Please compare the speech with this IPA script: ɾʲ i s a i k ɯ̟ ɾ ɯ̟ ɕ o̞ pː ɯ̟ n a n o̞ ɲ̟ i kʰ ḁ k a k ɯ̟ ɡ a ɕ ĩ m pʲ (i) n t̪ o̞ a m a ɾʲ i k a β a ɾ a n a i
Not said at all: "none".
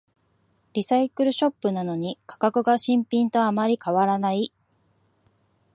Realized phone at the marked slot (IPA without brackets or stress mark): ĩ